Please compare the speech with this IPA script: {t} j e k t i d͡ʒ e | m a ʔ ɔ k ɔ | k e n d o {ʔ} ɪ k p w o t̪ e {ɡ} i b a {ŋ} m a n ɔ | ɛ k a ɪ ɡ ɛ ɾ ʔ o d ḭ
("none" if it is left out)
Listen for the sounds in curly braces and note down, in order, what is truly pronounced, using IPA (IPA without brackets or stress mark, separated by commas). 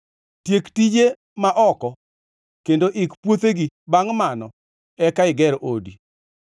t, ʔ, ɡ, ŋ